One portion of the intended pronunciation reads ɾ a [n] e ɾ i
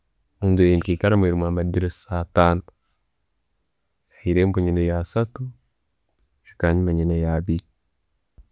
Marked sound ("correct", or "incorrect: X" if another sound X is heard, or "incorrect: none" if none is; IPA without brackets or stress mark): incorrect: m